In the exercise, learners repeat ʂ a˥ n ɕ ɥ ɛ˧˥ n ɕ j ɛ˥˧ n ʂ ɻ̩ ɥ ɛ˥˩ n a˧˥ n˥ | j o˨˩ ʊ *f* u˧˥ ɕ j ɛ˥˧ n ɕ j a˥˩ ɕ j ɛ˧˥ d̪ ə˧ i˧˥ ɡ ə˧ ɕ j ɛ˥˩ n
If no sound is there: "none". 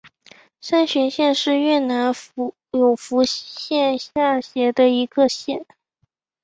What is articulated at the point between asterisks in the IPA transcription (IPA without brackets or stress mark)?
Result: f